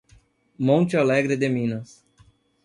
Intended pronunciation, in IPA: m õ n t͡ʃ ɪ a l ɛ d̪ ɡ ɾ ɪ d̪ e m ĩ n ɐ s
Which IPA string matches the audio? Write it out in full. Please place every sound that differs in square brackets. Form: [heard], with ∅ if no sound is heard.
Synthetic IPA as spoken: m õ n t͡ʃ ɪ a l ɛ [∅] ɡ ɾ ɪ d̪ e m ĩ n ɐ s